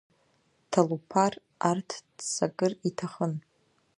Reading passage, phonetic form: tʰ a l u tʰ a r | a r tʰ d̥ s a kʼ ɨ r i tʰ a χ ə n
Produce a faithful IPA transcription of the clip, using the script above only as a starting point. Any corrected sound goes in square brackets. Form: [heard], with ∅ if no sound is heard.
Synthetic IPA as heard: tʰ a l u [pʰ] a r | a r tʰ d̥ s a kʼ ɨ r i tʰ a χ ə n